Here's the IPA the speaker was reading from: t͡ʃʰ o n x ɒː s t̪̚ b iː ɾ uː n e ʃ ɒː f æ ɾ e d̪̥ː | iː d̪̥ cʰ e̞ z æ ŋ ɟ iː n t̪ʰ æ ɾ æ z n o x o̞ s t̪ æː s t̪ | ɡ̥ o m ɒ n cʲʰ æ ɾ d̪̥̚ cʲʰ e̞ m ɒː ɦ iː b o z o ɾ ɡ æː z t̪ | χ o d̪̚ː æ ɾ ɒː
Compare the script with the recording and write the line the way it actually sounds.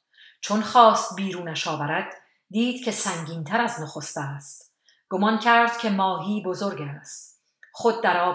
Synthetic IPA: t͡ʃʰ o n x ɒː s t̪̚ b iː ɾ uː n æ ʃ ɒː v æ ɾ æ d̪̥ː | iː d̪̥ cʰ e̞ s æ ŋ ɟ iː n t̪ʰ æ ɾ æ z n o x o̞ s t̪ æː s t̪ | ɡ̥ o m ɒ n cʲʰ æ ɾ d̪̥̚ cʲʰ e̞ m ɒː ɦ iː b o z o ɾ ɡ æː s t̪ | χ o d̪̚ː æ ɾ ɒː